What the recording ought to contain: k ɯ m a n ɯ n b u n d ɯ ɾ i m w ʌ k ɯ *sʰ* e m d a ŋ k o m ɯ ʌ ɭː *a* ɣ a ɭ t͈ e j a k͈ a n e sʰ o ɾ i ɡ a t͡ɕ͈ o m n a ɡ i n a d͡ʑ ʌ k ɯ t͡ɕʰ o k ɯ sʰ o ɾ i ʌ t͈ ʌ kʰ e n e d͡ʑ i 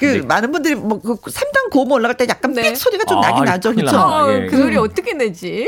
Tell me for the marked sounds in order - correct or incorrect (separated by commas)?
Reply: correct, correct